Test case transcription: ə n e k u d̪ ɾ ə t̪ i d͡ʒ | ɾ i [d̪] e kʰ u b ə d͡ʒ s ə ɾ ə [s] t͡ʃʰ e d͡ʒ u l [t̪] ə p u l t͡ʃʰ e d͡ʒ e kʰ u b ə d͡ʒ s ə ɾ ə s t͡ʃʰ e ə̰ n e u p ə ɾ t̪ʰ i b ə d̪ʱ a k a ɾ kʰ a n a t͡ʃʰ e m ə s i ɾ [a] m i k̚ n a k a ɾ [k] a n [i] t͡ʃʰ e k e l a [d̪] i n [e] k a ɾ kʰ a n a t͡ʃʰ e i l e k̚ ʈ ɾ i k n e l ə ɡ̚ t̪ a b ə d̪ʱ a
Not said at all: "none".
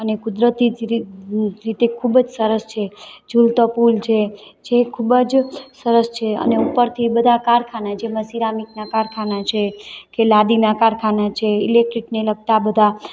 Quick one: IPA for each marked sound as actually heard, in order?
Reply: t̪, s, t̪, a, kʰ, a, d̪, a

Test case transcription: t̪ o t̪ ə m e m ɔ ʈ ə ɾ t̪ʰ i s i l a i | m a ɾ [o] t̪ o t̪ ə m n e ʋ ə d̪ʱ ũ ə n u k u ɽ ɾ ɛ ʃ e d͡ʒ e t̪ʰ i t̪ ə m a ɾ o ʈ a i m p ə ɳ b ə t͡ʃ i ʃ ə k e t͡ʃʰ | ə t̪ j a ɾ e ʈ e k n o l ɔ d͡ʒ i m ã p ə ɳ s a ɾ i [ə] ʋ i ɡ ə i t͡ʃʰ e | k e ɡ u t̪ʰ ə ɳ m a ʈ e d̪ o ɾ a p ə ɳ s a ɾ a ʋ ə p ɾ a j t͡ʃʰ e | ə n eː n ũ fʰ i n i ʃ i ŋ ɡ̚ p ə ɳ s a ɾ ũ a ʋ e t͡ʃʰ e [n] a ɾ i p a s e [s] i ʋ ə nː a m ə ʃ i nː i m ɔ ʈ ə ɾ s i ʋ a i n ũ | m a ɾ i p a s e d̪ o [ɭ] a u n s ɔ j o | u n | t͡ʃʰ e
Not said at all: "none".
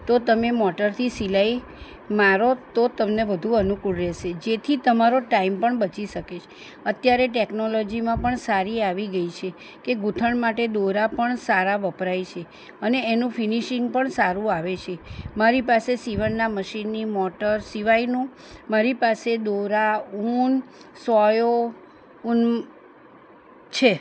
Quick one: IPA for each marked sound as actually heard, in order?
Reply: o, a, m, s, ɾ

